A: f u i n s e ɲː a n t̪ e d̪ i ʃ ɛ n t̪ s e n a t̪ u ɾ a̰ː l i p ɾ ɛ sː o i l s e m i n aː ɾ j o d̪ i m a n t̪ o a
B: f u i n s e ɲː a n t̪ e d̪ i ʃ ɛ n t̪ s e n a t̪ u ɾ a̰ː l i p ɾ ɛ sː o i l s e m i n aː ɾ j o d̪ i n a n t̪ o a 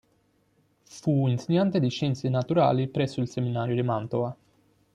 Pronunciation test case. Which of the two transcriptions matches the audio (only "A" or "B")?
A